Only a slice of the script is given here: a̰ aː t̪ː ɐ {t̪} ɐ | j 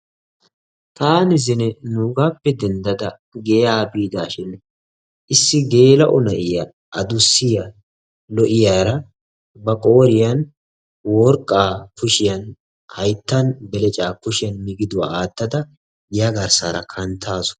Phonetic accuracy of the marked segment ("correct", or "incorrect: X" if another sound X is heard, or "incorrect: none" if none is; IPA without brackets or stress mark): incorrect: d̪